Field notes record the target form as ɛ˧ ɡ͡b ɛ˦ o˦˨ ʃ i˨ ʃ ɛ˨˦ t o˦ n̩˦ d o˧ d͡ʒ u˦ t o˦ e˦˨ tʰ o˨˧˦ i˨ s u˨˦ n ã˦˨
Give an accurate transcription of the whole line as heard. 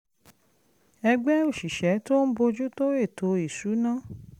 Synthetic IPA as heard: ɛ˧ ɡ͡b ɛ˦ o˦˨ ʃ i˨ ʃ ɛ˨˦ t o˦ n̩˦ b o˧ d͡ʒ u˦ t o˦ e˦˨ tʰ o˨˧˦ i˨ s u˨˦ n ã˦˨